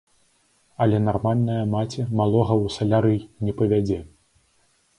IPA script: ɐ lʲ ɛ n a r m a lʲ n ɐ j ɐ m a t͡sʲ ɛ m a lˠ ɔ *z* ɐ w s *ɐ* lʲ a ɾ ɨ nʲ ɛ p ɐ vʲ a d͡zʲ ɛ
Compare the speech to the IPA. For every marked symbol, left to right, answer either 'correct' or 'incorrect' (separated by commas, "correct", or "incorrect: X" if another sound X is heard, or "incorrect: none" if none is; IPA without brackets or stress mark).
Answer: incorrect: ɣ, correct